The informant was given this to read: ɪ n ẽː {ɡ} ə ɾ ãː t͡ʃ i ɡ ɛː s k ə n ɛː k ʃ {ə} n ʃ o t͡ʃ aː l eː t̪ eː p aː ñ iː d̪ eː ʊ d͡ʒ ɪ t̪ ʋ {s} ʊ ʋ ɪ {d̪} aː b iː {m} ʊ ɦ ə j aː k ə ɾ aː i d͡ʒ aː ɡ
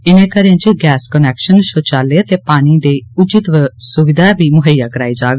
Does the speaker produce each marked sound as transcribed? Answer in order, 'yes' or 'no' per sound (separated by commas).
no, yes, yes, yes, yes